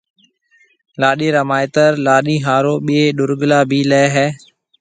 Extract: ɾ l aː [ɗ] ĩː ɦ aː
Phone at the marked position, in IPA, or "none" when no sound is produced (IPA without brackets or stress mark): ɗ